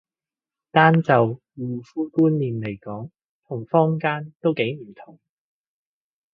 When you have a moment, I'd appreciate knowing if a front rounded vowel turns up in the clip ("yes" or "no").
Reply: no